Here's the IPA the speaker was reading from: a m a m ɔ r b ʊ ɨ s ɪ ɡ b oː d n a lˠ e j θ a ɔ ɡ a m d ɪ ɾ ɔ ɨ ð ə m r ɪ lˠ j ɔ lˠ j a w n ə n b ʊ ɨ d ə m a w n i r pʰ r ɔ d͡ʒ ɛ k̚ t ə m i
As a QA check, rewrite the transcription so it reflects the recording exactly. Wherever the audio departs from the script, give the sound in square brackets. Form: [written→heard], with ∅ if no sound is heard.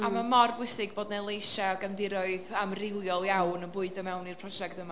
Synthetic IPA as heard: a m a m ɔ r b ʊ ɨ s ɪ ɡ b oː d n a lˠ e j [θ→ʃ] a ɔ ɡ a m d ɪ ɾ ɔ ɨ ð [ə→a] m r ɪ lˠ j ɔ lˠ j a w n ə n b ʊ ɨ d ə m [a→ɛ] w n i r pʰ r ɔ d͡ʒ ɛ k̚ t ə m [i→a]